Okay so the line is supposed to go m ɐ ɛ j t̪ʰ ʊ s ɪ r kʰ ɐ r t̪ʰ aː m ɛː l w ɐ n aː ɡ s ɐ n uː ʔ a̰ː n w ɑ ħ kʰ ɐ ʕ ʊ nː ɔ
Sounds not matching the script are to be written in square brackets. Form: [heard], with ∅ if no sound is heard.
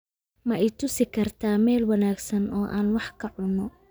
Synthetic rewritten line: m ɐ ɛ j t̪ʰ ʊ s ɪ [∅] kʰ ɐ r t̪ʰ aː m ɛː l w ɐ n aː ɡ s ɐ n [ɔː] ʔ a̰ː n w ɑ ħ kʰ ɐ ʕ ʊ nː ɔ